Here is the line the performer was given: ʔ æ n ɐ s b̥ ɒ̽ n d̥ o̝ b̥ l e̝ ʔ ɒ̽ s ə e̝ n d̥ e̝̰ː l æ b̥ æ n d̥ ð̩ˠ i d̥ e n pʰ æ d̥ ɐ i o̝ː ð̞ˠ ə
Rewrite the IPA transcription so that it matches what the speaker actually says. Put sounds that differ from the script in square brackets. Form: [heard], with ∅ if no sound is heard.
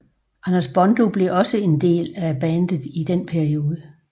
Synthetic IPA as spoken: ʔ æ n ɐ s b̥ ɒ̽ n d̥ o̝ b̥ l e̝ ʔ ɒ̽ s ə e̝ n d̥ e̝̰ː l æ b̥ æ n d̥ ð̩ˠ i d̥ e n pʰ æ [∅] ɐ i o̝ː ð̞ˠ ə

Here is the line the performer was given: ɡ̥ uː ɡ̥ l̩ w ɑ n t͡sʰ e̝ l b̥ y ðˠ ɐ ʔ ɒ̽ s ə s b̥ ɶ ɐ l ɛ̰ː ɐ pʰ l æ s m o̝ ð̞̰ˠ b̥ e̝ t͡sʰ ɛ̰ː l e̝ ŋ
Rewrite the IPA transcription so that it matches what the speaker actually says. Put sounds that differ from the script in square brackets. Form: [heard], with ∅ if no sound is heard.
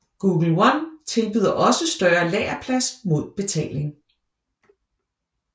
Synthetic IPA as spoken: ɡ̥ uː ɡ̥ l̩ w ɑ n t͡sʰ e̝ l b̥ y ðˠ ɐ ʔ ɒ̽ s ə s [d̥] ɶ ɐ l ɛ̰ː ɐ pʰ l æ s m o̝ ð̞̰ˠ b̥ e̝ t͡sʰ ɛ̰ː l e̝ ŋ

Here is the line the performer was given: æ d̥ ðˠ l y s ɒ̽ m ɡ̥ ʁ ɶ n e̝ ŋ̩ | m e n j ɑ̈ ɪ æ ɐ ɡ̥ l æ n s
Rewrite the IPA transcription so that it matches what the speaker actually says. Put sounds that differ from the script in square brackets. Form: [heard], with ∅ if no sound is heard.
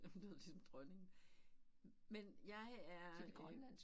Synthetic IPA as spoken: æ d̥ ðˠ l [i] s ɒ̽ m [d̥] ʁ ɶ n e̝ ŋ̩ | m e n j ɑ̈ ɪ æ ɐ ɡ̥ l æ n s

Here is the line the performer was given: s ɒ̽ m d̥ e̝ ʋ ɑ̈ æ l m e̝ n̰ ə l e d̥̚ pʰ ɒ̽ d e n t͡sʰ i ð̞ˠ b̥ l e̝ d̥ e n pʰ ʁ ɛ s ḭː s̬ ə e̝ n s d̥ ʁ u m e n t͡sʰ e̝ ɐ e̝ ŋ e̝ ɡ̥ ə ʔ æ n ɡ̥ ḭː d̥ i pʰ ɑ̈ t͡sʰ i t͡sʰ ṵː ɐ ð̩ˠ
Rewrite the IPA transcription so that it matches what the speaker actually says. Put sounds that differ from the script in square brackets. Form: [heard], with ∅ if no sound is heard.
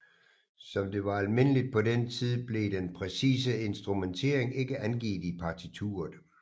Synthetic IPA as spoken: s ɒ̽ m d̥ e̝ ʋ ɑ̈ æ l m e̝ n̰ ə l [i] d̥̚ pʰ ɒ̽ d e n t͡sʰ i ð̞ˠ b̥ l e̝ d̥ e n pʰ ʁ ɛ s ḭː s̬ ə e̝ n s d̥ ʁ u m e n t͡sʰ e̝ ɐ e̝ ŋ e̝ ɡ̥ ə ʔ æ n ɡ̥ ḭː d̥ i pʰ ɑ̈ t͡sʰ i t͡sʰ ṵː ɐ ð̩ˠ

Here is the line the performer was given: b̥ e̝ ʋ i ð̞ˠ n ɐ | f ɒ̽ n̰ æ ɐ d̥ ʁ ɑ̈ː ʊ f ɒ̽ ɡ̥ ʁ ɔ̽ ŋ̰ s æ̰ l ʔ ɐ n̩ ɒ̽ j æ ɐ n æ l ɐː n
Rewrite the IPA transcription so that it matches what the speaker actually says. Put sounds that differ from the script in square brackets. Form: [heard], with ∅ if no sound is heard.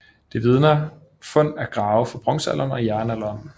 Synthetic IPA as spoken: [d̥] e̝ ʋ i ð̞ˠ n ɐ | f [ɔ̽] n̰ æ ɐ [ɡ̥] ʁ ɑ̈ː ʊ f ɒ̽ [b̥] ʁ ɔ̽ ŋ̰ s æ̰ l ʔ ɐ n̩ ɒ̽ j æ ɐ n æ l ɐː n

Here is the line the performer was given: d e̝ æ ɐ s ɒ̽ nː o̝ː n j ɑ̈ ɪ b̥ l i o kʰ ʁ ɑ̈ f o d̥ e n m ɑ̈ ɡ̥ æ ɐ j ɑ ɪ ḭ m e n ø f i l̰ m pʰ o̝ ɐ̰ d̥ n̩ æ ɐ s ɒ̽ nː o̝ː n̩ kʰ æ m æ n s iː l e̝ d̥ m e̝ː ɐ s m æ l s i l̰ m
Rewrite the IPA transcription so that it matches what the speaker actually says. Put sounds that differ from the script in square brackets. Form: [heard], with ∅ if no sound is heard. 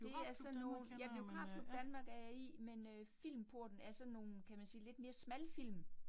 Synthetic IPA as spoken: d e̝ æ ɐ s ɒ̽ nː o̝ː n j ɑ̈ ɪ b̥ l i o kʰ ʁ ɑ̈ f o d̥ [æ] n m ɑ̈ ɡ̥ æ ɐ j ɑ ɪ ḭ m e n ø f i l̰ m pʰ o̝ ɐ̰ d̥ n̩ æ ɐ s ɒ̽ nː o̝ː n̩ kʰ æ m æ n s iː l e̝ d̥ m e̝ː ɐ s m æ l [f] i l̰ m

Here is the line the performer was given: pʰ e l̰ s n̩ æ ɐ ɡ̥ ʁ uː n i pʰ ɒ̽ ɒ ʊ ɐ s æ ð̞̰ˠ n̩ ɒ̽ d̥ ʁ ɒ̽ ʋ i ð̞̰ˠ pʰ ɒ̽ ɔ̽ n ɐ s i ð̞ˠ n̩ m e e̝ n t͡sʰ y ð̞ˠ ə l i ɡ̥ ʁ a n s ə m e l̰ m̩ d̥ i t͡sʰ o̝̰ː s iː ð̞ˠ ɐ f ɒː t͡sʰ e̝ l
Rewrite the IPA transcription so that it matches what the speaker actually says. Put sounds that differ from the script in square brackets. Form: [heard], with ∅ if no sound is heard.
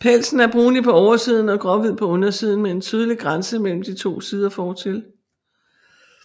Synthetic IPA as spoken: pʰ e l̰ s n̩ æ ɐ [b̥] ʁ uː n i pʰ ɒ̽ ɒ ʊ ɐ s [i] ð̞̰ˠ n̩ ɒ̽ [ɡ̥] ʁ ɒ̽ ʋ i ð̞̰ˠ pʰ ɒ̽ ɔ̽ n ɐ s i ð̞ˠ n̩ m e e̝ n t͡sʰ y ð̞ˠ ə l i ɡ̥ ʁ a n s ə m e l̰ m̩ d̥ i t͡sʰ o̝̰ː s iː ð̞ˠ ɐ f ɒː t͡sʰ e̝ l

